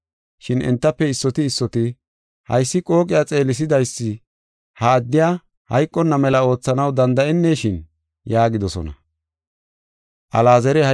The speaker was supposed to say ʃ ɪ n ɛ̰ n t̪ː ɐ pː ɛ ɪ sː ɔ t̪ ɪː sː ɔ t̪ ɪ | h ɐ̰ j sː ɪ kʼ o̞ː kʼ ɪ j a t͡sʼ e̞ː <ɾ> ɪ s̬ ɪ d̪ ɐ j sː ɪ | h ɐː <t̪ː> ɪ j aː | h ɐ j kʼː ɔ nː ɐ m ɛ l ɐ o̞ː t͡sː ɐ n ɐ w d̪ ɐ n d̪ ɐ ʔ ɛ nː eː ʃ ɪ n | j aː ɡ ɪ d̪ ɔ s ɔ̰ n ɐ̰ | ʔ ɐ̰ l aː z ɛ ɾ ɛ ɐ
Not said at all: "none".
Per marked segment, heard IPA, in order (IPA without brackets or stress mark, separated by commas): l, d̪ː